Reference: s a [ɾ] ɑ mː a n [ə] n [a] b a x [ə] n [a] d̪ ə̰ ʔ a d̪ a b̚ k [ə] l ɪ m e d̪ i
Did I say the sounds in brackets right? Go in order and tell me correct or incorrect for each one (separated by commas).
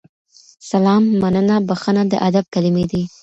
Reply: incorrect, correct, correct, correct, correct, incorrect